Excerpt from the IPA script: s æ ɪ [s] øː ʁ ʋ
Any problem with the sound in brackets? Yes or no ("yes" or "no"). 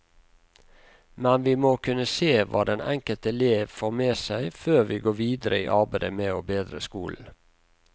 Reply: yes